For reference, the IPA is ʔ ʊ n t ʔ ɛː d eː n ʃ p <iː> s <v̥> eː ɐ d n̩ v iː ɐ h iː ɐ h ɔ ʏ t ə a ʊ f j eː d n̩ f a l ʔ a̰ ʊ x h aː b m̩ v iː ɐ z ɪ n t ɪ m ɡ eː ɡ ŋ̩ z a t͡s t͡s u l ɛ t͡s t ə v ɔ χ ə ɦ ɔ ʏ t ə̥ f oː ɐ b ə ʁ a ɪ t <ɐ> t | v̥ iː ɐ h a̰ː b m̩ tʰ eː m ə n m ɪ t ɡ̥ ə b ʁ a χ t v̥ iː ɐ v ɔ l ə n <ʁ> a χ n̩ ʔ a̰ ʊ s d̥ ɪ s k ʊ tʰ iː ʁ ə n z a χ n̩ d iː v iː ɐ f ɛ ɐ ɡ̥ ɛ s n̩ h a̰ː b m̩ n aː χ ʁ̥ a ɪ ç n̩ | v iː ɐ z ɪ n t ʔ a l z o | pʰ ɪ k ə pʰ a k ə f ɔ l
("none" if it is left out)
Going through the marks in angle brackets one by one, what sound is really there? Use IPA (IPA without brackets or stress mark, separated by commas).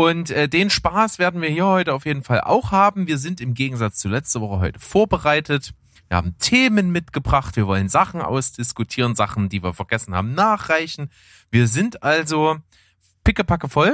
aː, v̥, ə, z